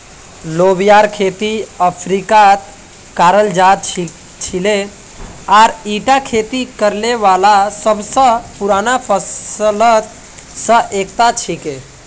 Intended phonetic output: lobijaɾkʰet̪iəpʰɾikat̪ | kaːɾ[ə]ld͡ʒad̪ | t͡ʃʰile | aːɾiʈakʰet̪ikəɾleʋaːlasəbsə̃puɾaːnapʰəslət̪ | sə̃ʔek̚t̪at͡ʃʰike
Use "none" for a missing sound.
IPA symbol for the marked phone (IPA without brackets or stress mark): ə